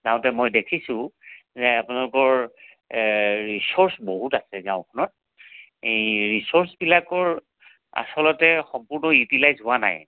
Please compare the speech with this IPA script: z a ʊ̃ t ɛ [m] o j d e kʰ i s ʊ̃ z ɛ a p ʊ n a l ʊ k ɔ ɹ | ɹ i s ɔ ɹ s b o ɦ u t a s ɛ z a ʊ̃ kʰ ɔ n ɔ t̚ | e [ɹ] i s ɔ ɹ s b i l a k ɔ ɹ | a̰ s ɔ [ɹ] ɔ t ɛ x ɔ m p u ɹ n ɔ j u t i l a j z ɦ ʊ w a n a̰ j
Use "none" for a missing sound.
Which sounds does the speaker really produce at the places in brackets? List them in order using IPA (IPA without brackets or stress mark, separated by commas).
m, ɹ, l